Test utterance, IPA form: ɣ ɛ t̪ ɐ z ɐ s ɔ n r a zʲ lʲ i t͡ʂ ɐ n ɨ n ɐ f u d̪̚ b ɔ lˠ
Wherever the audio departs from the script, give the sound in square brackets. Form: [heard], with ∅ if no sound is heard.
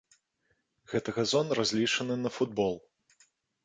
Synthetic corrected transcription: ɣ ɛ t̪ ɐ [ɣ] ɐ [z] ɔ n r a zʲ lʲ i t͡ʂ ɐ n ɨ n ɐ f u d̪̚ b ɔ lˠ